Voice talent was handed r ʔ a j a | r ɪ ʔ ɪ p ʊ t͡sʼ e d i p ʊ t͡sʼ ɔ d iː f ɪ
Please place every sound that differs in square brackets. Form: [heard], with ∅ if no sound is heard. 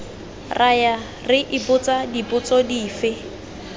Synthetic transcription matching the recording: r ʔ a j a | r ɪ ʔ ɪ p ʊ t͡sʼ [a] d i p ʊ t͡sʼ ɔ d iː f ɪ